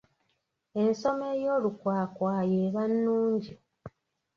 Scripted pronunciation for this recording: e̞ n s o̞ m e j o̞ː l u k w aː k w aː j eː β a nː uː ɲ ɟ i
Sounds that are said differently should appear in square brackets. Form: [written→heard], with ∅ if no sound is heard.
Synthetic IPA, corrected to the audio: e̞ n s o̞ m e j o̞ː l u k w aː k w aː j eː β a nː uː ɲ ɟ i